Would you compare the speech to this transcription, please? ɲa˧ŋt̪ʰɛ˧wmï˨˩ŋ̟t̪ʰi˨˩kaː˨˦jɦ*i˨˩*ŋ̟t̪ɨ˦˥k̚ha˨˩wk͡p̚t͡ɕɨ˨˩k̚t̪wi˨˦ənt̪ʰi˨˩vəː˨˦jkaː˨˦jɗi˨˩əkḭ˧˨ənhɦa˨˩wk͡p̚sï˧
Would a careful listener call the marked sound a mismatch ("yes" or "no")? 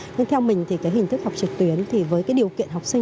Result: no